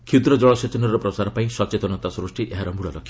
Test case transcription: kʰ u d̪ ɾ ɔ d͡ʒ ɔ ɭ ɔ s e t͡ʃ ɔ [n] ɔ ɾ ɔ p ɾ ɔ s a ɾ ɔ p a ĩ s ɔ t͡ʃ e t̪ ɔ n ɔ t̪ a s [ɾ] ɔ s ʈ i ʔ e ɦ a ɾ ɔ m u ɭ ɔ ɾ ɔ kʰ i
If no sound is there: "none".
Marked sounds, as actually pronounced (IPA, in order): n, ɾ

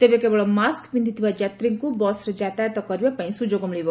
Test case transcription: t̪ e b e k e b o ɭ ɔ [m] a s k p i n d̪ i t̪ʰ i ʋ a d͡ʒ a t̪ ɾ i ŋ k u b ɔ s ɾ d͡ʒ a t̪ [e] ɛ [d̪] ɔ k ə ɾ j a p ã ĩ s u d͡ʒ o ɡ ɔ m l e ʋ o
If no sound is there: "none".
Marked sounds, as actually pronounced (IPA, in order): m, a, t̪

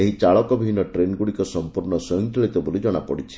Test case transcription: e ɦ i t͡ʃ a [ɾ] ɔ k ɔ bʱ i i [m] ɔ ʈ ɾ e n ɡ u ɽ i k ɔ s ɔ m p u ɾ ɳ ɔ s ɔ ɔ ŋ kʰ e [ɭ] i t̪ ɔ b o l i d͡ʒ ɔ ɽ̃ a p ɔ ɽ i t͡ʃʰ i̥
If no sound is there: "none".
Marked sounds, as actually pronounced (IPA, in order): ɭ, n, ɭ

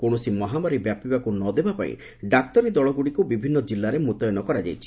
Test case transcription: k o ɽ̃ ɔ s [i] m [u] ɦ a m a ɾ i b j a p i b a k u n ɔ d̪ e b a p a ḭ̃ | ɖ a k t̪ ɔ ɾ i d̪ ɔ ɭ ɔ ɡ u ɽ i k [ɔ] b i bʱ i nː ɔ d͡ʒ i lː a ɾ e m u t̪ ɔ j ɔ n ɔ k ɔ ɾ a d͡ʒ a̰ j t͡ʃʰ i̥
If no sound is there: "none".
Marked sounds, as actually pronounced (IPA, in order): i, ɔ, u

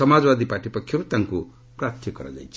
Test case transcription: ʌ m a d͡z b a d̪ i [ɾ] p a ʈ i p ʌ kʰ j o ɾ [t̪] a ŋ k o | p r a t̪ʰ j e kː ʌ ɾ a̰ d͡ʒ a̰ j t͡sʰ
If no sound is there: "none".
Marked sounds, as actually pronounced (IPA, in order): none, t̪

